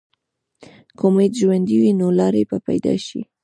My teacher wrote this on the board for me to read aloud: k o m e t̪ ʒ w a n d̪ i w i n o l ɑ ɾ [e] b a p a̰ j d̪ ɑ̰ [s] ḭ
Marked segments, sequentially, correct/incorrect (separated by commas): correct, incorrect